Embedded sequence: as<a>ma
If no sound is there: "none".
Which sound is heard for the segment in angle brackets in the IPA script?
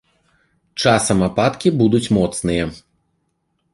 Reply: ɐ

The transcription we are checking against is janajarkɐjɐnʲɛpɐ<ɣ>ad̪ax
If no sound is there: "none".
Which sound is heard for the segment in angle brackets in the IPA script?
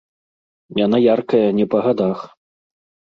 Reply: ɣ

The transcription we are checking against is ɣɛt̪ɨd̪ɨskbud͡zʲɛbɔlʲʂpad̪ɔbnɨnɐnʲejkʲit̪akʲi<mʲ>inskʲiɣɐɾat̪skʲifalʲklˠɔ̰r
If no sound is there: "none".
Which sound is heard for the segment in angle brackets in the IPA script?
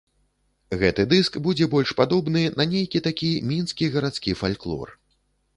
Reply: mʲ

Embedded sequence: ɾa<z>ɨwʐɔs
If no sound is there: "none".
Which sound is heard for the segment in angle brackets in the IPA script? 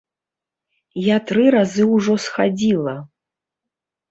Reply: z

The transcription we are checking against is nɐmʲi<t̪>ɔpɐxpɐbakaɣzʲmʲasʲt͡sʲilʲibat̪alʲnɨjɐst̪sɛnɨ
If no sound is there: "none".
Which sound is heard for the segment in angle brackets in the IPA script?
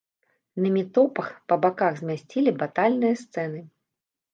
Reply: t̪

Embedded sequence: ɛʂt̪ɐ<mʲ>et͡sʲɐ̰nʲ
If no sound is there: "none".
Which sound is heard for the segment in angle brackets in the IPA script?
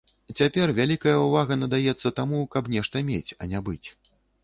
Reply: mʲ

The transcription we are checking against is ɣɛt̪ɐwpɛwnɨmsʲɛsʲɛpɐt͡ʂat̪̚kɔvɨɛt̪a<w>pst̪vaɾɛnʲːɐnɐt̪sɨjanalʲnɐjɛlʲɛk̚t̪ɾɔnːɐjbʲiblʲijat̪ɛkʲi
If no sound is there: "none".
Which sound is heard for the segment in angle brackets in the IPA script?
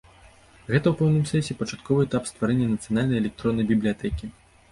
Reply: none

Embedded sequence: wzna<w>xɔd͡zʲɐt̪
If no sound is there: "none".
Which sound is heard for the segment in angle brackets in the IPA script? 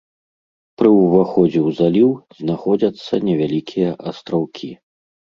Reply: none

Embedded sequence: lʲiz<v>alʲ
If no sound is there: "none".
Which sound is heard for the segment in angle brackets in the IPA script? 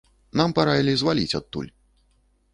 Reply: v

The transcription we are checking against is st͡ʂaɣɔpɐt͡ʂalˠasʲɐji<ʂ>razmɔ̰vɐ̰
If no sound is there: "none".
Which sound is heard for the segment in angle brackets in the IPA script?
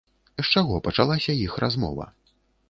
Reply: x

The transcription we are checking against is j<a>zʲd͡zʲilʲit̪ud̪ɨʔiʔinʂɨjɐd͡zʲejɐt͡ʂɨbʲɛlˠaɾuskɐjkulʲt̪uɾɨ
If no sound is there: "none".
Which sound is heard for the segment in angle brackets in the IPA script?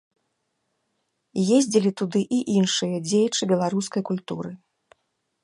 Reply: e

